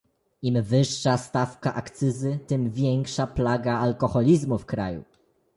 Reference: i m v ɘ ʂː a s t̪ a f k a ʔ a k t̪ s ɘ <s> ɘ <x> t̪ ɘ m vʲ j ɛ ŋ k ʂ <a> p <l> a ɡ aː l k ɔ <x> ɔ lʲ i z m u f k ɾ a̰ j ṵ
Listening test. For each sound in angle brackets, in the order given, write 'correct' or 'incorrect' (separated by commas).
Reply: incorrect, incorrect, correct, correct, correct